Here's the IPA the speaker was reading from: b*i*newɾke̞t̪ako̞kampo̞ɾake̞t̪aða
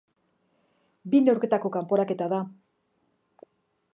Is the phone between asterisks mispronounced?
no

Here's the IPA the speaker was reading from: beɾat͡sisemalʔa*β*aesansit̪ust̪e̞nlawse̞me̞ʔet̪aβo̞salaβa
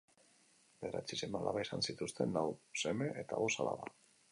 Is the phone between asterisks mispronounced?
no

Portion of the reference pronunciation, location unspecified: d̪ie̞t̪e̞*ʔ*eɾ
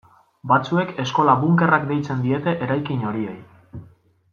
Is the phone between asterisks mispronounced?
no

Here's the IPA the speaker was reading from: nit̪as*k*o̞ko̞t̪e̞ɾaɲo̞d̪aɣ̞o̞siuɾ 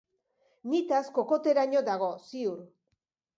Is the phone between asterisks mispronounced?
no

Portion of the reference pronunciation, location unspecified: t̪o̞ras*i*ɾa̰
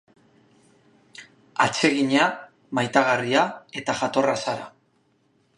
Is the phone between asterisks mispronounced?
yes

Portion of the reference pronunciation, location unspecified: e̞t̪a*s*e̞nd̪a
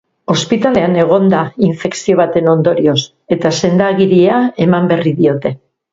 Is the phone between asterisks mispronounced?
no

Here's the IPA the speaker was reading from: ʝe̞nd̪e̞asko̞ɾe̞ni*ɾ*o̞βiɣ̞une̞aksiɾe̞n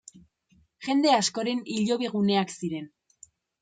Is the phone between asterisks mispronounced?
yes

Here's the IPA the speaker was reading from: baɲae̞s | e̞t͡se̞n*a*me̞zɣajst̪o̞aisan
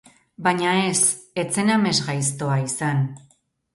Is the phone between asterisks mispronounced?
no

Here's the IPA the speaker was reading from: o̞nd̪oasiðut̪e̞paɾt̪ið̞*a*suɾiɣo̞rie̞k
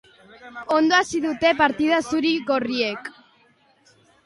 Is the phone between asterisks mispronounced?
no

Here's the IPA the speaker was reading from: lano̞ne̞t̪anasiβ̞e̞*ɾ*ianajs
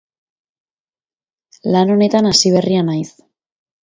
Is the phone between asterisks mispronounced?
yes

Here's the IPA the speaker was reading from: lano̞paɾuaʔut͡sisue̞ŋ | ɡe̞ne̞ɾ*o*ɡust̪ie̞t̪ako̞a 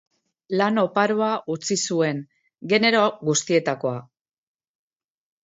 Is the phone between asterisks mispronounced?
no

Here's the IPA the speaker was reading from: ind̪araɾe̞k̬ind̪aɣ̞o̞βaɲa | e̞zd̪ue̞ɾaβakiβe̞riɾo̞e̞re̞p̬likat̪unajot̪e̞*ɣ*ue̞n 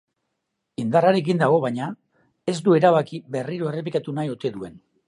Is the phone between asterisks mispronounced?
yes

